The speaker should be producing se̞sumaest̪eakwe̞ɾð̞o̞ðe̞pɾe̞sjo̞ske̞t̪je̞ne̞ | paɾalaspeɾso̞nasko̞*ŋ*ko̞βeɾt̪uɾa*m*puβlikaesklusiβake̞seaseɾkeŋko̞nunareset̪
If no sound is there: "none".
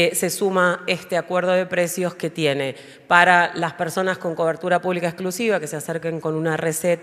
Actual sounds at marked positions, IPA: ŋ, none

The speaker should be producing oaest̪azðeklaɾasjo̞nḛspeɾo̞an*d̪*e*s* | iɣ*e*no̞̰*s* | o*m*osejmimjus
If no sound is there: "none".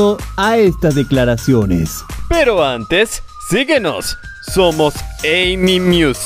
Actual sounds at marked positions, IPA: t̪, sː, e, sː, m

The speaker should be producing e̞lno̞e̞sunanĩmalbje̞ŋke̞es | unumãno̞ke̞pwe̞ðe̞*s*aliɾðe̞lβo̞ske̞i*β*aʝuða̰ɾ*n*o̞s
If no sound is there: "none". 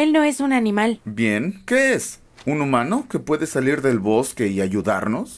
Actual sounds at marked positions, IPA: s, none, n

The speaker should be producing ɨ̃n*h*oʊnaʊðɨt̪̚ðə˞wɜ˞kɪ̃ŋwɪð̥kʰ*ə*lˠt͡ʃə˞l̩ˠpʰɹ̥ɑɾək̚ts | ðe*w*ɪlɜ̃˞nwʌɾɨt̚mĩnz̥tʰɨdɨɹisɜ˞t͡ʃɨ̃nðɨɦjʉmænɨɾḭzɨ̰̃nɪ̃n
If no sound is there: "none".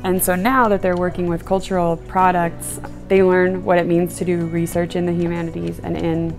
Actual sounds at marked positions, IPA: s, ʌ, none

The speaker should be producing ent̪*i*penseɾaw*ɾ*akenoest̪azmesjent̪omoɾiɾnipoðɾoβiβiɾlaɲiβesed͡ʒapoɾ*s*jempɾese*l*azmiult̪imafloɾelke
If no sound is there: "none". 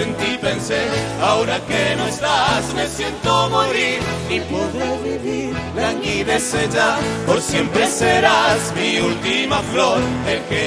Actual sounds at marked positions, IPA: i, ɾ, s, ɾ

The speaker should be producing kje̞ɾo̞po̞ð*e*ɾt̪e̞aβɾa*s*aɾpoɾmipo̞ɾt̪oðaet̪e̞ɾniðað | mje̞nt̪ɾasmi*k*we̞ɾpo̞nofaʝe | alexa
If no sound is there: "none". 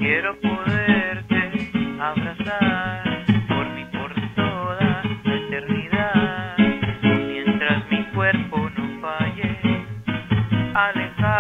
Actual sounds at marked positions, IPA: e, s, k

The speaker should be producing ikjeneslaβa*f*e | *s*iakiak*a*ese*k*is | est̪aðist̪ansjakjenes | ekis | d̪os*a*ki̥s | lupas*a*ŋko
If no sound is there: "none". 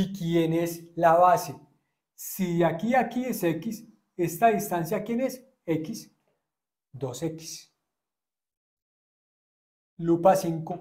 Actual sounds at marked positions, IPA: s, s, i, k, e, i

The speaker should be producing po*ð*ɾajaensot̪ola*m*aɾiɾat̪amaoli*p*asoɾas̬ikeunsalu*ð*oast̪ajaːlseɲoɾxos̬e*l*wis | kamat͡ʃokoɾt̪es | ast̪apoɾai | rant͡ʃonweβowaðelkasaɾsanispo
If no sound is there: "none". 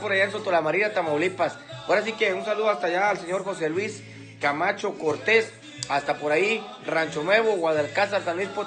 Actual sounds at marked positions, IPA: none, m, p, ð, l

